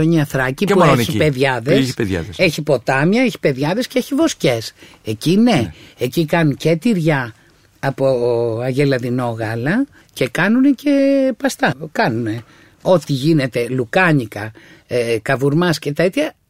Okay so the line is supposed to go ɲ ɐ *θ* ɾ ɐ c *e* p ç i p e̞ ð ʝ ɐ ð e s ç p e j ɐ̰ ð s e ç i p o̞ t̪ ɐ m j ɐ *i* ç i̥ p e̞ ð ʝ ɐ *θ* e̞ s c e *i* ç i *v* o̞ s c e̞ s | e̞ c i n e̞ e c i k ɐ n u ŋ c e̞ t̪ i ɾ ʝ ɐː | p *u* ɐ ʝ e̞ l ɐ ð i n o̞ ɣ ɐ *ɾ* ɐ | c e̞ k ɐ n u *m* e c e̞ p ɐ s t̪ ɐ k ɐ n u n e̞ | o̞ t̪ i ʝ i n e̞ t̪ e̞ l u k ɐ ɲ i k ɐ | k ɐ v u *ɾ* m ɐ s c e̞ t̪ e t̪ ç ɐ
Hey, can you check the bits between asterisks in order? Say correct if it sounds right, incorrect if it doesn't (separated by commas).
correct, incorrect, incorrect, incorrect, incorrect, correct, incorrect, incorrect, incorrect, correct